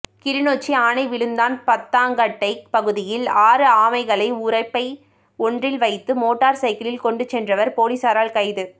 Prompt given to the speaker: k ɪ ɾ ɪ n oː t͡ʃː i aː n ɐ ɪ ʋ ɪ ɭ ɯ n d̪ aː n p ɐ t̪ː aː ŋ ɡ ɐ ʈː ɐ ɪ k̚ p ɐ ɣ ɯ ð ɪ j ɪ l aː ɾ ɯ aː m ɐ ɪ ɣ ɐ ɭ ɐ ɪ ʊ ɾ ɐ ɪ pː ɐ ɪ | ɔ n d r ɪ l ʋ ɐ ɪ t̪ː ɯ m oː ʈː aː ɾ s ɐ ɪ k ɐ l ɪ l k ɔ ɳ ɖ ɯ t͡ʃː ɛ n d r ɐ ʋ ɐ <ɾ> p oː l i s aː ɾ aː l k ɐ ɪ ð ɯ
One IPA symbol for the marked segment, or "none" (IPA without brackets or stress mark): ɾ